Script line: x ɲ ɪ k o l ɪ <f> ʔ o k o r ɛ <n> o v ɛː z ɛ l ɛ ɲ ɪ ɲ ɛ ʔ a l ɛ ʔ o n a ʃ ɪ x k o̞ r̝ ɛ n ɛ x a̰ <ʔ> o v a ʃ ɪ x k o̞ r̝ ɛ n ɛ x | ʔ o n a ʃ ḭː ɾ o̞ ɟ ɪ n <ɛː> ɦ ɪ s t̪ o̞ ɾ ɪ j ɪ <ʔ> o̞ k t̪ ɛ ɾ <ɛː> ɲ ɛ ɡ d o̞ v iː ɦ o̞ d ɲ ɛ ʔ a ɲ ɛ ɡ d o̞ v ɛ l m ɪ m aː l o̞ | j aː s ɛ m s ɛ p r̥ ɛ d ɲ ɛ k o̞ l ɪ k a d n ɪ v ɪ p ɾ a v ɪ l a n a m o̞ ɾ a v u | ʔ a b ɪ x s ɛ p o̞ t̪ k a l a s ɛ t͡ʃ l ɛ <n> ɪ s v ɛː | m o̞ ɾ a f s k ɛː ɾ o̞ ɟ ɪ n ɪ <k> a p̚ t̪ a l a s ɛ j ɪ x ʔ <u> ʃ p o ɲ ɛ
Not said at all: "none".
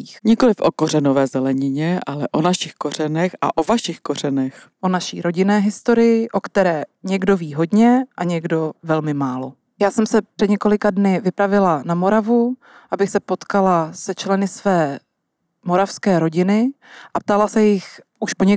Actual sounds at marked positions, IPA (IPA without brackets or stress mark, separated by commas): f, n, ʔ, ɛː, ʔ, ɛː, n, ʔ, u